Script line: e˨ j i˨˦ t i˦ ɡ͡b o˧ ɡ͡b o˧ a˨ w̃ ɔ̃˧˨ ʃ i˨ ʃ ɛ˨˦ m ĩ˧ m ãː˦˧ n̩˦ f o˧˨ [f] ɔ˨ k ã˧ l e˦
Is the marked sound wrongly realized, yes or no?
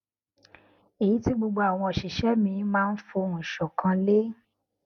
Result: yes